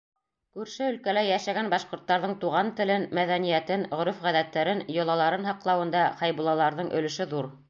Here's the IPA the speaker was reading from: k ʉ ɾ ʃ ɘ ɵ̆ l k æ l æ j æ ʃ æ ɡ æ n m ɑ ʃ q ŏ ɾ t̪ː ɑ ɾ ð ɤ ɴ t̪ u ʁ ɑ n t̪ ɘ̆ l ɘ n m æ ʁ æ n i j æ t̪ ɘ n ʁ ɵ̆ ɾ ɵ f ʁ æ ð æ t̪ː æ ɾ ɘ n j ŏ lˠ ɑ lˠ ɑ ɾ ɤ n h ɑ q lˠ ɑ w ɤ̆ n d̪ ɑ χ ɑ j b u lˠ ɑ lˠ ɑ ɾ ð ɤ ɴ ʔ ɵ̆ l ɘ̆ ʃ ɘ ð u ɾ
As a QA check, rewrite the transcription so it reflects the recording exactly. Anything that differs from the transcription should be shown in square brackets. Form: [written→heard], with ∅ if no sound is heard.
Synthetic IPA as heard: k ʉ ɾ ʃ ɘ ɵ̆ l k æ l æ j æ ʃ æ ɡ æ n [m→b] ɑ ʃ q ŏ ɾ t̪ː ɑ ɾ ð ɤ ɴ t̪ u ʁ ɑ n t̪ ɘ̆ l ɘ n m æ [ʁ→ð] æ n i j æ t̪ ɘ n ʁ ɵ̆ ɾ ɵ f ʁ æ ð æ t̪ː æ ɾ ɘ n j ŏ lˠ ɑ lˠ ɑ ɾ ɤ n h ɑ q lˠ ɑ w ɤ̆ n d̪ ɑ χ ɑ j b u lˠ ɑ lˠ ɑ ɾ ð ɤ ɴ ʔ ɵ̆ l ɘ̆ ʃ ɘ ð u ɾ

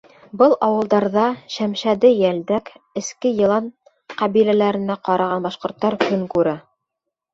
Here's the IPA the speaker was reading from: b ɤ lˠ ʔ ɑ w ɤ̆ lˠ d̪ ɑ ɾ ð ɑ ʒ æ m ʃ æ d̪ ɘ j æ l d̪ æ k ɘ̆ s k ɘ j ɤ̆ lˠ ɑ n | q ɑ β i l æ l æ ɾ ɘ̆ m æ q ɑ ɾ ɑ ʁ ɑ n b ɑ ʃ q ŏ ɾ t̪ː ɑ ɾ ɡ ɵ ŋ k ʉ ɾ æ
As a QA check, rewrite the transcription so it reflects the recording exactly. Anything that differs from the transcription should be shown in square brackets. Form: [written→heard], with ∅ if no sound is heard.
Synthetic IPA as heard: b ɤ lˠ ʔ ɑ w ɤ̆ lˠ d̪ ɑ ɾ ð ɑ [ʒ→ʃ] æ m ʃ æ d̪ ɘ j æ l d̪ æ k ɘ̆ s k ɘ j ɤ̆ lˠ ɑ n | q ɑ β i l æ l æ ɾ ɘ̆ [m→n] æ q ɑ ɾ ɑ ʁ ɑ n b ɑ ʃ q ŏ ɾ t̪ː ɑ ɾ [ɡ→k] ɵ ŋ k ʉ ɾ æ

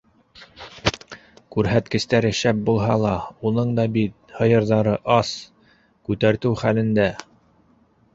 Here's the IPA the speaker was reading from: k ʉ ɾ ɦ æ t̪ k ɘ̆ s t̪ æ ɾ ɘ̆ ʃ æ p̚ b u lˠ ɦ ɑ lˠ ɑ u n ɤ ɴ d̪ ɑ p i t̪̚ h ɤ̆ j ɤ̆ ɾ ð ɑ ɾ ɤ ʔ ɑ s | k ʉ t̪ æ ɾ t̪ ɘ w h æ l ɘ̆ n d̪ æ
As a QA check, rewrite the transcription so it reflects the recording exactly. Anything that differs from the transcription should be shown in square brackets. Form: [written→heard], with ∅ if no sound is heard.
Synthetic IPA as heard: k ʉ ɾ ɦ æ t̪ k ɘ̆ s t̪ æ ɾ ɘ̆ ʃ æ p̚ b u lˠ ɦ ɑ lˠ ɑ u n ɤ ɴ d̪ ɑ [p→b] i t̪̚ h ɤ̆ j ɤ̆ ɾ ð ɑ ɾ ɤ ʔ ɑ s | k ʉ t̪ æ ɾ t̪ ɘ w [h→χ] æ l ɘ̆ n d̪ æ

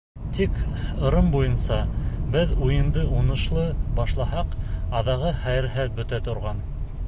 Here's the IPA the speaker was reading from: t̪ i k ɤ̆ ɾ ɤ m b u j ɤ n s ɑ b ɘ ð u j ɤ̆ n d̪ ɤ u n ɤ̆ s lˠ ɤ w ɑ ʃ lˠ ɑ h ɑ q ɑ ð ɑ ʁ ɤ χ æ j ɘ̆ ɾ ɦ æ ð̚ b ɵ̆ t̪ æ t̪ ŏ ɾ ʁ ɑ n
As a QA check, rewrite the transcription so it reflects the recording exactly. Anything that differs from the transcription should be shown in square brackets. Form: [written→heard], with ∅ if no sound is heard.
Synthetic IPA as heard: t̪ i k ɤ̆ ɾ ɤ m b u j ɤ n s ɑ b ɘ ð u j ɤ̆ n d̪ ɤ u n ɤ̆ [s→ʃ] lˠ ɤ [w→b] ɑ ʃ lˠ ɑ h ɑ q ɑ ð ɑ ʁ ɤ χ æ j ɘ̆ ɾ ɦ æ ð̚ b ɵ̆ t̪ æ t̪ ŏ ɾ ʁ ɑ n

